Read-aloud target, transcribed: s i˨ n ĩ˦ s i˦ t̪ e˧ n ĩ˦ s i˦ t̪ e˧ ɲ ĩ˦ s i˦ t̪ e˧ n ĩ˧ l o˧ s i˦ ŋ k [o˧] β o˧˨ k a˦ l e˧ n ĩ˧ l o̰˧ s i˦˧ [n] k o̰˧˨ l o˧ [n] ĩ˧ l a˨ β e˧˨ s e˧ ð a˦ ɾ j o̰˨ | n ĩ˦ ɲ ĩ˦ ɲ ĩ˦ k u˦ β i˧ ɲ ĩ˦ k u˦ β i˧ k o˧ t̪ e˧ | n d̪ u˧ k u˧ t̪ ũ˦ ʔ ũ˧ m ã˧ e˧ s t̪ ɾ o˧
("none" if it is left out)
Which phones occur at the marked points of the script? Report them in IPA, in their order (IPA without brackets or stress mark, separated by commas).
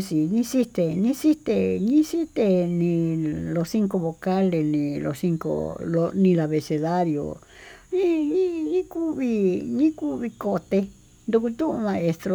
o˧, ŋ, n